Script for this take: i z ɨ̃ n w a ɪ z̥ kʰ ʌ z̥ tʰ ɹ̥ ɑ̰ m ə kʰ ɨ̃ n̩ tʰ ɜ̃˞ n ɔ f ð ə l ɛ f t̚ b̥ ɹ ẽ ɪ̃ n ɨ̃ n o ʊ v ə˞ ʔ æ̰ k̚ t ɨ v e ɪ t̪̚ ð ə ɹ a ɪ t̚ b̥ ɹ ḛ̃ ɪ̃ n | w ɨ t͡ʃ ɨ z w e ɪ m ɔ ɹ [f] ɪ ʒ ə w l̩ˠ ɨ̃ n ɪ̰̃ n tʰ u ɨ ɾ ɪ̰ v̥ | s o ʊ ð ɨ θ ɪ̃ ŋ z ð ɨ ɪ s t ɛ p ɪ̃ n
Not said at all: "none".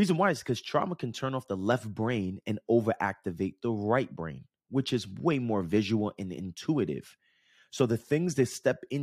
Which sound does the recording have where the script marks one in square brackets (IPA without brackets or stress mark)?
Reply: v